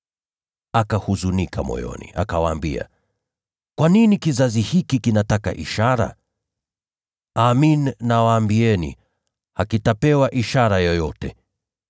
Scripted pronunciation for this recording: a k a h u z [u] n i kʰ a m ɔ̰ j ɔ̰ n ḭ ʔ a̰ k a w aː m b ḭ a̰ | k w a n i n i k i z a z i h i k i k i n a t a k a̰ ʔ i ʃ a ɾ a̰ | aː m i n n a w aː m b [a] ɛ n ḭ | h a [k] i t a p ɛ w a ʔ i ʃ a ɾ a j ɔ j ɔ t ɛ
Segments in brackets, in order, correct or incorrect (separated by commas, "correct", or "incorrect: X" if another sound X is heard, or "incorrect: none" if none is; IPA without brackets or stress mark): correct, incorrect: i, correct